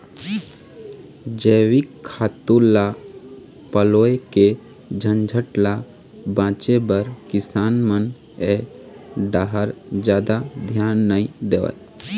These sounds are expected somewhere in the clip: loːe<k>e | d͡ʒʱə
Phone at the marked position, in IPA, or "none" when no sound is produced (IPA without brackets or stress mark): k